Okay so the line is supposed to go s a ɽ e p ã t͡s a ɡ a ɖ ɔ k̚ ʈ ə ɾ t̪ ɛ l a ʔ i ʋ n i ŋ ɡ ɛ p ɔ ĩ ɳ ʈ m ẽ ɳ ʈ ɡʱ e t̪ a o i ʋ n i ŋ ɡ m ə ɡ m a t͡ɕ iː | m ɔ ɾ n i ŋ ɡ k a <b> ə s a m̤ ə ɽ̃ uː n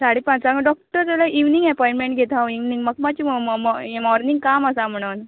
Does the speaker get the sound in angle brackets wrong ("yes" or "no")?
yes